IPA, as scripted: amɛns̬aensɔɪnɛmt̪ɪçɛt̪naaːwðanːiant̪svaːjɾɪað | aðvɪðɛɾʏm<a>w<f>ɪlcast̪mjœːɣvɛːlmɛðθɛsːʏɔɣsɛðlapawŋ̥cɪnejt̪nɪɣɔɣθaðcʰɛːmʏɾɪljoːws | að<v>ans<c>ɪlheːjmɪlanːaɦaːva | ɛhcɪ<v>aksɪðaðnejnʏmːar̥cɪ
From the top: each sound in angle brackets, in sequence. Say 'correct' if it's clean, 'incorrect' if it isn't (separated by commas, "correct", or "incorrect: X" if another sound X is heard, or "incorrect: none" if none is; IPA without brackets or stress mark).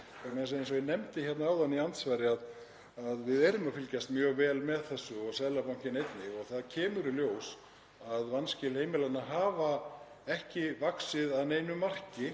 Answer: correct, correct, correct, correct, correct